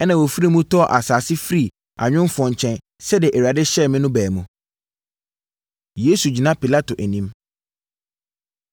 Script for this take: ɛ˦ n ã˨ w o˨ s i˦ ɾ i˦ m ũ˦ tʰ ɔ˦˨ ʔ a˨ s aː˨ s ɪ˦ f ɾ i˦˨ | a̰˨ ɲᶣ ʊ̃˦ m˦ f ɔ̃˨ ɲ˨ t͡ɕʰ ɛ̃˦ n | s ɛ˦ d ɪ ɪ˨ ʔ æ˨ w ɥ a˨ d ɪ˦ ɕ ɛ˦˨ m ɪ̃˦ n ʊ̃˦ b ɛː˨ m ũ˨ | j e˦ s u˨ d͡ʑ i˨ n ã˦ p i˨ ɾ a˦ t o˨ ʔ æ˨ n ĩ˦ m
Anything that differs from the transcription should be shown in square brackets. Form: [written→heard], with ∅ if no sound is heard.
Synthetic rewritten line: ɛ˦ n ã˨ w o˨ [s→f] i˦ ɾ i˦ m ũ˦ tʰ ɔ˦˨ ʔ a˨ s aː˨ s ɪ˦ f ɾ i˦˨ | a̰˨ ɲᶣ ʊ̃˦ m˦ f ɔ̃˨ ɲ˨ t͡ɕʰ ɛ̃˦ n | s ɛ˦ d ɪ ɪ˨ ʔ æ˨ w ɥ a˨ d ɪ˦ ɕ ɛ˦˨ m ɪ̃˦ n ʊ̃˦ b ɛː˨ m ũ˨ | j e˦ s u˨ d͡ʑ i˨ n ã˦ p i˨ [ɾ→l] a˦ t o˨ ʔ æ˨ n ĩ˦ m